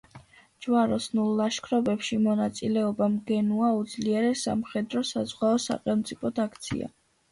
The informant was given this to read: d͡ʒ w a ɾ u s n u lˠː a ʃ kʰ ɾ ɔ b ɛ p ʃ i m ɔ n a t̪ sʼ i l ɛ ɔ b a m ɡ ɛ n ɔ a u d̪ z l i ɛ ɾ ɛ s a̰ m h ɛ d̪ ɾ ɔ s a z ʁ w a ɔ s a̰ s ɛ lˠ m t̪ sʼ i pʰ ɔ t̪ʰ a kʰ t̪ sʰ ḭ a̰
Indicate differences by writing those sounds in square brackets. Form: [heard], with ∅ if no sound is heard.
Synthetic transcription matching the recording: d͡ʒ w a ɾ [ɔ] s n u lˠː a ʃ kʰ ɾ ɔ b ɛ p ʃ i m ɔ n a t̪ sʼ i l ɛ ɔ b a m ɡ ɛ n [u] a u d̪ z l i ɛ ɾ ɛ s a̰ m [χ] ɛ d̪ ɾ ɔ s a z ʁ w a ɔ s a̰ [χ] ɛ lˠ m t̪ sʼ i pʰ ɔ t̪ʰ a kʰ t̪ sʰ ḭ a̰